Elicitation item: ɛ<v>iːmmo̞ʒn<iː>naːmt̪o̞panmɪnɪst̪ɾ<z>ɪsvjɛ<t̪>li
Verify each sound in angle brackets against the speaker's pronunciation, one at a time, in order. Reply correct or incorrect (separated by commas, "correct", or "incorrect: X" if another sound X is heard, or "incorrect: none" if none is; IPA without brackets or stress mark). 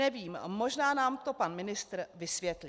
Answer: correct, incorrect: aː, incorrect: v, correct